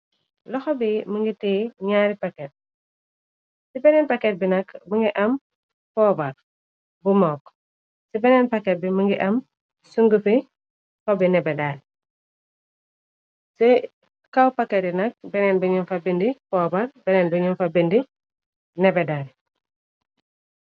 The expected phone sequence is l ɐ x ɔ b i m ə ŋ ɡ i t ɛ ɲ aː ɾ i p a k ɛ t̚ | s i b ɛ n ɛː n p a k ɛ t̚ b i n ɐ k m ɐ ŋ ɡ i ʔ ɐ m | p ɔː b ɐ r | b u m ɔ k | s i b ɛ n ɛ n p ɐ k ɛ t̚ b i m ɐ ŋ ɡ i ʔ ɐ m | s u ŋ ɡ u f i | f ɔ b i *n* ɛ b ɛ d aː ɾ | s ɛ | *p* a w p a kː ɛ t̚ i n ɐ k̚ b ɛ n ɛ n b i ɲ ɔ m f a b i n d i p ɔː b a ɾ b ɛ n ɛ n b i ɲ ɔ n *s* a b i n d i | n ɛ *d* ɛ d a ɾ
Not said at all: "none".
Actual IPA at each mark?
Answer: n, k, f, b

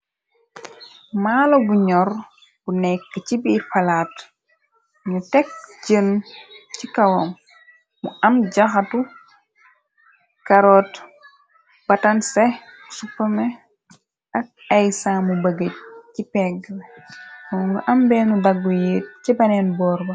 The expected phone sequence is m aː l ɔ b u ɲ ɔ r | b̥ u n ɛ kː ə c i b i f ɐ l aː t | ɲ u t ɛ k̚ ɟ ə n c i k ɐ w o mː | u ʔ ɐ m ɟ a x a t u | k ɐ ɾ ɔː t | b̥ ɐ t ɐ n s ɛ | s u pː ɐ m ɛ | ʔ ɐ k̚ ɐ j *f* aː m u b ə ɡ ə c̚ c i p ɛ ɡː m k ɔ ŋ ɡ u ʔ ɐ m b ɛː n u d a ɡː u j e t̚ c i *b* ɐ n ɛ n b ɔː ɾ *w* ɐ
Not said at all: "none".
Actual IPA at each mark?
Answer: s, b, b

